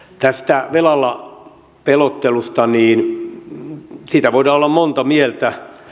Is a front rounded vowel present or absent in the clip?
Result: absent